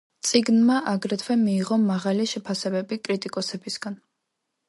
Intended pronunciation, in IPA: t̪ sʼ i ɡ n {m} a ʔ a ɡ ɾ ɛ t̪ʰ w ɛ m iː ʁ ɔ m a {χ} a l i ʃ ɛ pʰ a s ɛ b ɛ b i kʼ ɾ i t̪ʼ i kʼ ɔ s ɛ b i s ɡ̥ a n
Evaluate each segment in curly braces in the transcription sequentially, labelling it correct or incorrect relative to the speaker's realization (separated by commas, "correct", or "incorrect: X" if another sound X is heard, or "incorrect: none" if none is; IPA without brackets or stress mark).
correct, incorrect: ʁ